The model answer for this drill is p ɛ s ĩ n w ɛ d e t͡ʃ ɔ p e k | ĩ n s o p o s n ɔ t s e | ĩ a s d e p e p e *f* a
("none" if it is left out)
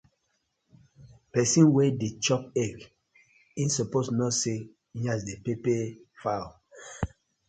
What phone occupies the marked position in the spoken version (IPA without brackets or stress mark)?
f